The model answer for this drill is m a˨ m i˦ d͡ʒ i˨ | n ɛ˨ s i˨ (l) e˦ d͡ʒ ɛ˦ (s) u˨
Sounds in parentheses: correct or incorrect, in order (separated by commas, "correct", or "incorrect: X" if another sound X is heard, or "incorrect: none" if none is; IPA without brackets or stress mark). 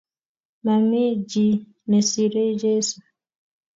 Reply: incorrect: ɾ, correct